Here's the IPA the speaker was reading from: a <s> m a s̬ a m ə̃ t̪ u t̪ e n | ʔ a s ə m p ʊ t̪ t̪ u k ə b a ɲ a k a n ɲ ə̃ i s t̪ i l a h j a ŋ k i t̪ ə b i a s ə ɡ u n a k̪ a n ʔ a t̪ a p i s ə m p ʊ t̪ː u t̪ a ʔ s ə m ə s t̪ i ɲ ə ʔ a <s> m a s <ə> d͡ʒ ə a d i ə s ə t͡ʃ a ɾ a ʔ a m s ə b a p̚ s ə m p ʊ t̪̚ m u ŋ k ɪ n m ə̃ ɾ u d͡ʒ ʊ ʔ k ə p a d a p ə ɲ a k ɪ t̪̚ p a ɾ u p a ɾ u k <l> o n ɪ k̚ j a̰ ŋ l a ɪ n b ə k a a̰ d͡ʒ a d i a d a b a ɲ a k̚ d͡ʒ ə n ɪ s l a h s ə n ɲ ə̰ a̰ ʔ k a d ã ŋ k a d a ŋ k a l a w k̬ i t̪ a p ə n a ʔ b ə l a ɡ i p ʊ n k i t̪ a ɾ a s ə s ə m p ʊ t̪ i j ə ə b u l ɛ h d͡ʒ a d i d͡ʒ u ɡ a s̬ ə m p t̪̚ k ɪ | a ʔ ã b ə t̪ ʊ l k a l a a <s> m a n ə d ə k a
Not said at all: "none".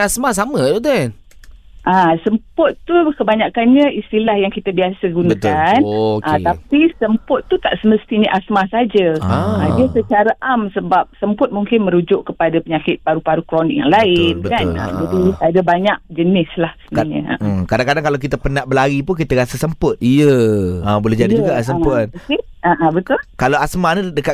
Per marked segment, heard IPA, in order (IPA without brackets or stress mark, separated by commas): s, s, a, ɾ, s